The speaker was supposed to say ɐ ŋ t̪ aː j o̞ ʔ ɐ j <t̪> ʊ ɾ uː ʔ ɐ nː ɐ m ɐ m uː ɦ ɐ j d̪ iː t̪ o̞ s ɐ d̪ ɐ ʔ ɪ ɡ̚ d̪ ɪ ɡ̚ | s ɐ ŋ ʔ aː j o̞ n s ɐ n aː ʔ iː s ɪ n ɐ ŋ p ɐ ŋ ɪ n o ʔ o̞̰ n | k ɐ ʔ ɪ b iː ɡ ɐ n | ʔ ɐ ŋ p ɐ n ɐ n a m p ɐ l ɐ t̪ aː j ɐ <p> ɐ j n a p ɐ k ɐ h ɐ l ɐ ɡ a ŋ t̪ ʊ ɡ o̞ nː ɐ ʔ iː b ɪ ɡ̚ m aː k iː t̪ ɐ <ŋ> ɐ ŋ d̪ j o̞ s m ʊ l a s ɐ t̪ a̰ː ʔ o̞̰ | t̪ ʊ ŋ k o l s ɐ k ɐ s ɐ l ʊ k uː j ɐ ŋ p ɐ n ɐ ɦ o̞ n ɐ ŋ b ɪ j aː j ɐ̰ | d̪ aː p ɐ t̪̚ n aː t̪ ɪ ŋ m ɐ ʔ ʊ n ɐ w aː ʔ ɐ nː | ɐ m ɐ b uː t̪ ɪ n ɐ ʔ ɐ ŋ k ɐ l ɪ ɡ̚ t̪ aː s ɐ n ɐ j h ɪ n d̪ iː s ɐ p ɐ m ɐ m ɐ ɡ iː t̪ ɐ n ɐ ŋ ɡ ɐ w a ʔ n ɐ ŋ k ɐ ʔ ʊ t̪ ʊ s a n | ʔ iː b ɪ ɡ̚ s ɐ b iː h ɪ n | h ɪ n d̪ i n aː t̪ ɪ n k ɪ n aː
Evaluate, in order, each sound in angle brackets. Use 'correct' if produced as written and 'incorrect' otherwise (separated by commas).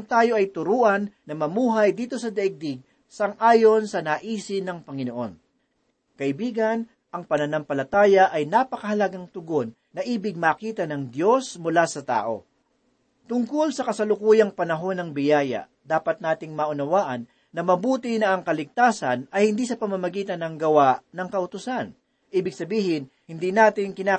correct, incorrect, incorrect